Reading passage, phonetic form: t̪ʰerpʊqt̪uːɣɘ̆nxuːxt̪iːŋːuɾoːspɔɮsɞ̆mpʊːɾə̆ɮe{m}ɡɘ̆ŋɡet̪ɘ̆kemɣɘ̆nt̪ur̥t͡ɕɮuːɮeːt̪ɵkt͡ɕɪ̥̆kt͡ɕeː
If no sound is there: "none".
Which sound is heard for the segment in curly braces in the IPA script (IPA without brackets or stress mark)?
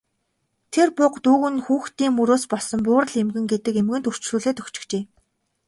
m